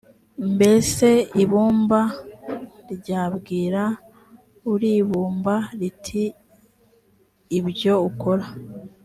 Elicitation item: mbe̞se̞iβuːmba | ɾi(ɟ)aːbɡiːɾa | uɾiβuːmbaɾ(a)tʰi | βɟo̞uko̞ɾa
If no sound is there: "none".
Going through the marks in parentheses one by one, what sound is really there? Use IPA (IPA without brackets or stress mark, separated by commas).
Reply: ɟ, i